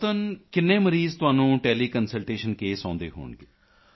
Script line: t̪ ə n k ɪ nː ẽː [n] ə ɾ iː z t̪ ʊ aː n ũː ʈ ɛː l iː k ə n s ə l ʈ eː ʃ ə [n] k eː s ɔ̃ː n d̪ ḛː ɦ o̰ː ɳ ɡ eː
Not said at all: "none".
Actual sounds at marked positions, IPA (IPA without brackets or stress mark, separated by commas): m, n